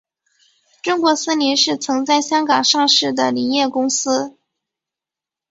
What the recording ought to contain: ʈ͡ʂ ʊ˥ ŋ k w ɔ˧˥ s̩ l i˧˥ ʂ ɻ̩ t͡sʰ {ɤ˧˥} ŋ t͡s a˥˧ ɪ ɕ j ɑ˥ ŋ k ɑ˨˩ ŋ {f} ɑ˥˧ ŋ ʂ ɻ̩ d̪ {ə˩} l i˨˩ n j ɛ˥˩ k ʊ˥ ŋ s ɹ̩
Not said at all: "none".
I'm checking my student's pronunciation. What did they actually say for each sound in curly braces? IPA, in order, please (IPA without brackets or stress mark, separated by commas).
ɤ˧˥, ʂ, ə˩